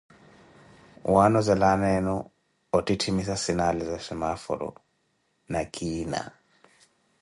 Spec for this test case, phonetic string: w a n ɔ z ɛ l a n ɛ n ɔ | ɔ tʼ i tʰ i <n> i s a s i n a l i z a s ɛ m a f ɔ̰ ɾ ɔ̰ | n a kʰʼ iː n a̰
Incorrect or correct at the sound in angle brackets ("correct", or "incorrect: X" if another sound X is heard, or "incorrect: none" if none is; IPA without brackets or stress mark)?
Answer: incorrect: m